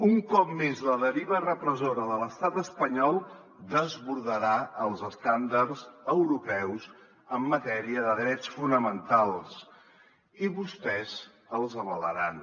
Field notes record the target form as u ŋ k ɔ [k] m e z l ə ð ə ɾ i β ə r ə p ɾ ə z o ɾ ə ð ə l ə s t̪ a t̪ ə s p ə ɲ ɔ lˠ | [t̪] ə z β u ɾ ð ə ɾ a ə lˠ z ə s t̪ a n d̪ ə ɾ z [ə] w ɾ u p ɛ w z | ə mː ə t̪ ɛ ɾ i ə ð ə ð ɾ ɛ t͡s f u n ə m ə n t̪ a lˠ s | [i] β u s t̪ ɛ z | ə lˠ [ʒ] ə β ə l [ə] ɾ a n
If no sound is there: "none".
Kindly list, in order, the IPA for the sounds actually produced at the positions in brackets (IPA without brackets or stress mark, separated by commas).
p, d̪, ə, i, z, ə